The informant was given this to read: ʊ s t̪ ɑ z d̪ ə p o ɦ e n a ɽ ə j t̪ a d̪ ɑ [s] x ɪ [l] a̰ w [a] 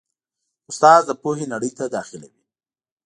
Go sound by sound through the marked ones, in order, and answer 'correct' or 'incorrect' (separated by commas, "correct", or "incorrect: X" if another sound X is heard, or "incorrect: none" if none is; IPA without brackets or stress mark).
incorrect: none, correct, incorrect: i